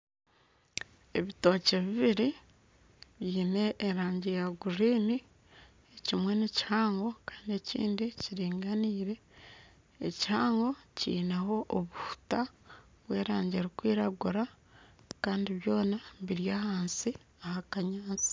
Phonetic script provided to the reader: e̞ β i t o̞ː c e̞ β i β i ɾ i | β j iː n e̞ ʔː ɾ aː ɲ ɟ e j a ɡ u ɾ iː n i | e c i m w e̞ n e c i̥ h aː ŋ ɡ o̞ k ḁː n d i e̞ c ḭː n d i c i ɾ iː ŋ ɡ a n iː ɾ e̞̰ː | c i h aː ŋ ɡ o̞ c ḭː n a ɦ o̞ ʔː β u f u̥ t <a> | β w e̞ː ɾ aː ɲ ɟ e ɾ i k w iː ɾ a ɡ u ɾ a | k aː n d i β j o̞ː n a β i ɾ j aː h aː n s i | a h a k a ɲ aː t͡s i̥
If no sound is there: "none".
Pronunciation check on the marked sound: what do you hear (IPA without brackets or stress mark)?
a